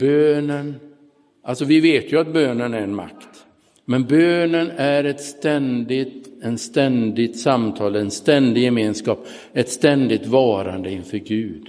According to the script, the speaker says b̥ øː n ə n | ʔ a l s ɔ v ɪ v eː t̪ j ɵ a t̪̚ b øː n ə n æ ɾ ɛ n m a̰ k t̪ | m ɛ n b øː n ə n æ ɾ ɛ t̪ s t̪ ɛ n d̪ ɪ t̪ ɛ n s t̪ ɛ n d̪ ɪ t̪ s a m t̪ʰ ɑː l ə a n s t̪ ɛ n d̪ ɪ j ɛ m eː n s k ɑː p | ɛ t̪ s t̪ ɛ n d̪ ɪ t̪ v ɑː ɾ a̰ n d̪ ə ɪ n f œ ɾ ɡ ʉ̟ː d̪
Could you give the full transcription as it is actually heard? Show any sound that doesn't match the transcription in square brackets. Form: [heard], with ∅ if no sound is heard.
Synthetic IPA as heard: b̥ øː n ə n | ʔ a l s ɔ v ɪ v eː t̪ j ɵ a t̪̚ b øː n ə n æ ɾ ɛ n m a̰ k t̪ | m ɛ n b øː n ə n æ ɾ ɛ t̪ s t̪ ɛ n d̪ ɪ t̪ ɛ n s t̪ ɛ n d̪ ɪ t̪ s a m t̪ʰ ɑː l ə [ɛ] n s t̪ ɛ n d̪ ɪ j ɛ m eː n s k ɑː p | ɛ t̪ s t̪ ɛ n d̪ ɪ t̪ v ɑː ɾ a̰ n d̪ ə ɪ n f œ ɾ ɡ ʉ̟ː d̪